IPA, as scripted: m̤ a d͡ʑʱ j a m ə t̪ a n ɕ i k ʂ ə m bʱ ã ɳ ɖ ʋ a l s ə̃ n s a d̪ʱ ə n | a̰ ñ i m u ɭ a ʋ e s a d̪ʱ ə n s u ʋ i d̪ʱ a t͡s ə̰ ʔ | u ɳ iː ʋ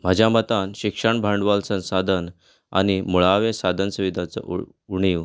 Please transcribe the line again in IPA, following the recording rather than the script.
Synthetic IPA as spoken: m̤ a d͡ʑʱ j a m ə t̪ a n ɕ i k ʂ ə ɳ bʱ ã ɳ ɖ ʋ a l s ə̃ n s a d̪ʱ ə n | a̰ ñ i m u ɭ a ʋ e s a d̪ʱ ə n s u ʋ i d̪ʱ a t͡s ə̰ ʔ | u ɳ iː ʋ